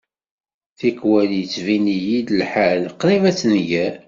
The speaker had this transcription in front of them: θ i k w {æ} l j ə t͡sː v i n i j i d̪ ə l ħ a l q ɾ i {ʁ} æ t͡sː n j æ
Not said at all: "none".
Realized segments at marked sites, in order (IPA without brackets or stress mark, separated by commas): æ, v